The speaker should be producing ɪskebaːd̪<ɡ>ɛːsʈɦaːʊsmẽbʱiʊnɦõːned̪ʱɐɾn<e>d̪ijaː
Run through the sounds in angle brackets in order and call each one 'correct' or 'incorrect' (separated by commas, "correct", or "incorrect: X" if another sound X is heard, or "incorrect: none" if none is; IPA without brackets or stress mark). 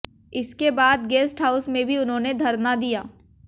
correct, incorrect: a